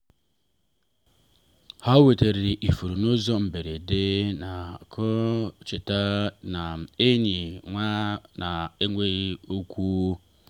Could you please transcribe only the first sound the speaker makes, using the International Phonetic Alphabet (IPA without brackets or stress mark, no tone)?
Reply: h